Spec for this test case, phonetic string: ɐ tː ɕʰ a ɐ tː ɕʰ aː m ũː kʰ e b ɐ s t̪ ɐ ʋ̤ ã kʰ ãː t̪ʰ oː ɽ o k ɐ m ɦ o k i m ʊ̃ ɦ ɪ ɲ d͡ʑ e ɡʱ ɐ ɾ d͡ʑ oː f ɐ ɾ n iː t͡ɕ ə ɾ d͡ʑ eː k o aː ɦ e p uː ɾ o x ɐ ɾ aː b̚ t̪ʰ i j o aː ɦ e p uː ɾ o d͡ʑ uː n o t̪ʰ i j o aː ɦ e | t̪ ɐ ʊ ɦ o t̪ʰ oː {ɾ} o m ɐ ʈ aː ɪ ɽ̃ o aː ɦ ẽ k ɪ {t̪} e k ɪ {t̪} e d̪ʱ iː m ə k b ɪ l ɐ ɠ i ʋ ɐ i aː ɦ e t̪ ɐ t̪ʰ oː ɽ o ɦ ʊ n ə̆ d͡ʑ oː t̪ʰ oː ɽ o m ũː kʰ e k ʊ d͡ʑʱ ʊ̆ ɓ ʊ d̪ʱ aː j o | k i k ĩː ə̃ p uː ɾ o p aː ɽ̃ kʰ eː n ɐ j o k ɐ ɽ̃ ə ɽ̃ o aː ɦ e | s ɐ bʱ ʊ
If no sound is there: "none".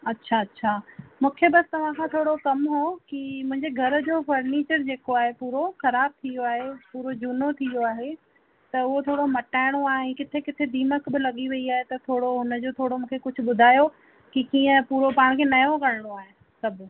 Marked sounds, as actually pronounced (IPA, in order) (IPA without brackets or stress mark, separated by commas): ɽ, t̪ʰ, t̪ʰ